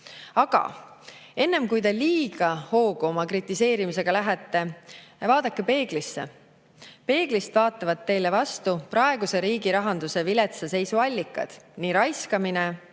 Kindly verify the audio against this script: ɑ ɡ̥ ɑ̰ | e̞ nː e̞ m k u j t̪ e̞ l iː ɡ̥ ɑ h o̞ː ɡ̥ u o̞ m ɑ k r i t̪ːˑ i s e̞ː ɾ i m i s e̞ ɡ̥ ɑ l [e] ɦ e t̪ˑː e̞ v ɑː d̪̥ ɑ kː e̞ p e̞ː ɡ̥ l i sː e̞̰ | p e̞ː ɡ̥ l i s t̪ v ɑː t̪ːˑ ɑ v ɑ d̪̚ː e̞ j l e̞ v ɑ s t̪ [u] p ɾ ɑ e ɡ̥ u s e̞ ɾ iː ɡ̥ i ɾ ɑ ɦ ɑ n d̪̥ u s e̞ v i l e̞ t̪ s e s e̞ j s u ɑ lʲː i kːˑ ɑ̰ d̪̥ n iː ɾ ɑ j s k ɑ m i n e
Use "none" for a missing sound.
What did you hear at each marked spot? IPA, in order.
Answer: æ, u

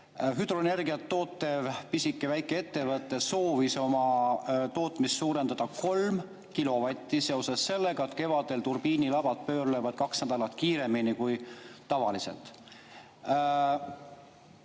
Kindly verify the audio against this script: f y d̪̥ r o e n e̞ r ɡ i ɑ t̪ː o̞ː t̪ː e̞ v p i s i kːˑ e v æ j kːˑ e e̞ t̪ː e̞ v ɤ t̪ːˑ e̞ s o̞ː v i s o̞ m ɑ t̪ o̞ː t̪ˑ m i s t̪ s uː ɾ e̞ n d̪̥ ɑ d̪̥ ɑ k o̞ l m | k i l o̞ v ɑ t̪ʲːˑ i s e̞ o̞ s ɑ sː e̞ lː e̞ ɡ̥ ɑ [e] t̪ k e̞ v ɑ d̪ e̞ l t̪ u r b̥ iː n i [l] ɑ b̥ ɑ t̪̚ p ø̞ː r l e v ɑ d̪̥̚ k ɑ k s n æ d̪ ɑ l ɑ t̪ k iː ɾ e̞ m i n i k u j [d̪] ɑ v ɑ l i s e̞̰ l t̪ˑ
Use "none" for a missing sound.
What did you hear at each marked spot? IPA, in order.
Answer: e, l, t̪

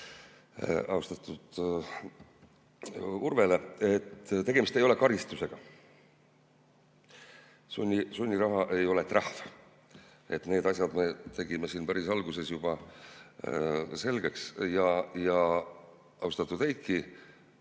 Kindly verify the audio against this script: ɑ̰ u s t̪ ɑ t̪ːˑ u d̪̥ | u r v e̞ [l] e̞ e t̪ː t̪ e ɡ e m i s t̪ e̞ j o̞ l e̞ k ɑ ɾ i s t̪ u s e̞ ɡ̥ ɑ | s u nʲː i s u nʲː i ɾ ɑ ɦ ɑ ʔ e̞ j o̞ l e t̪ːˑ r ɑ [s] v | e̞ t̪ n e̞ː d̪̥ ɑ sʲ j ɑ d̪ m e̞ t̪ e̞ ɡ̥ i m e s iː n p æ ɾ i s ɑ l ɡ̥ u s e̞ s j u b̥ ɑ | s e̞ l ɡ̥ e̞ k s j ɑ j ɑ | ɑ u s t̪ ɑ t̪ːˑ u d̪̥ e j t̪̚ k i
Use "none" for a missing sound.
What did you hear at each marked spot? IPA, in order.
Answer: l, h

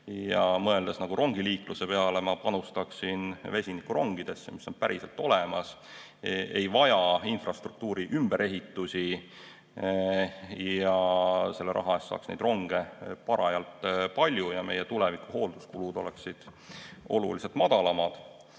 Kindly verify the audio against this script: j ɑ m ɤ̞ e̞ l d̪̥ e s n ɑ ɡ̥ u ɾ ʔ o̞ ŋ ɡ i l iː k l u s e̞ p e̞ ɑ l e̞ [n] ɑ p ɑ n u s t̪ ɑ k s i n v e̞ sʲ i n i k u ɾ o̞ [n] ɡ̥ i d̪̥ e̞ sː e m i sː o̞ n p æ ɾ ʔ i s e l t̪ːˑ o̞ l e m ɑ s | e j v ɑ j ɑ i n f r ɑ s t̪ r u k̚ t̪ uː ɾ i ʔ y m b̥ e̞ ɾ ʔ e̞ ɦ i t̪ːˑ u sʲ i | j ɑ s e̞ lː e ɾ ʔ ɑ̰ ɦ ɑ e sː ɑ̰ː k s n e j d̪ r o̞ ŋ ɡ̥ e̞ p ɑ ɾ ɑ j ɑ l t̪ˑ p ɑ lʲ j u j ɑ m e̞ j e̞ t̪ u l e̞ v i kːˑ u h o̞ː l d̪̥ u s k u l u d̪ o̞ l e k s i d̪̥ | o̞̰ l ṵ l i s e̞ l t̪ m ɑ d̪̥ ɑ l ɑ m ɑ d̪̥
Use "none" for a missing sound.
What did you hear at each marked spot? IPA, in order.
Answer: m, ŋ

